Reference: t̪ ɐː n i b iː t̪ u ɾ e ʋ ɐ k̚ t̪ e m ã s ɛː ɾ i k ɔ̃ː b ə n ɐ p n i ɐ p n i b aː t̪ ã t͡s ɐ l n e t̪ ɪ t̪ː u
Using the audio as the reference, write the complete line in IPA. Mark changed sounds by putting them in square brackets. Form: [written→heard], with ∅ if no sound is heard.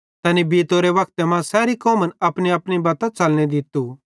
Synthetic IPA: t̪ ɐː n i b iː t̪ [u→o] ɾ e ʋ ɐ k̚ t̪ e m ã s ɛː ɾ i k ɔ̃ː [b→m] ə n ɐ p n i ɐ p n i b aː t̪ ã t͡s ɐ l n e [t̪→d̪] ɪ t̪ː u